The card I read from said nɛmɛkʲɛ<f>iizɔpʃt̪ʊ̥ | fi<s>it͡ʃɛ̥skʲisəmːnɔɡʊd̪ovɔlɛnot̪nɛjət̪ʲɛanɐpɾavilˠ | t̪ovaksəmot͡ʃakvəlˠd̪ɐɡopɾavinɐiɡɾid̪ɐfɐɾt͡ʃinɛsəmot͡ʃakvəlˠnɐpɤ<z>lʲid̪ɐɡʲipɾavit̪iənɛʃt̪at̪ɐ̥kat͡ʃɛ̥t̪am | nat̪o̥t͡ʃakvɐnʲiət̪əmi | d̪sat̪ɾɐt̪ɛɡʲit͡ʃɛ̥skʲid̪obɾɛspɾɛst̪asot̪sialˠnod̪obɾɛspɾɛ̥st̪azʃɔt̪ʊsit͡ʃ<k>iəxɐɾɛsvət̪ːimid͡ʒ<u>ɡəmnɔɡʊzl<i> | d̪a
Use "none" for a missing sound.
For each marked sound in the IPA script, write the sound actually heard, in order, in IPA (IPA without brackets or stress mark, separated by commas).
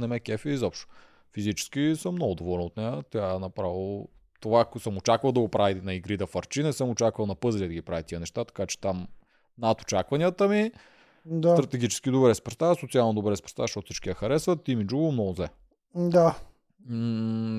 f, z, z, k, u, ɛ